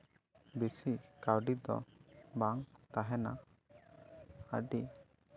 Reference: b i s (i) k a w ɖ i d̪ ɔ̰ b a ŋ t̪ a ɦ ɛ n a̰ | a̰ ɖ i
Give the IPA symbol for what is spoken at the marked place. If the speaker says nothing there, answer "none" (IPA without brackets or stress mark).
i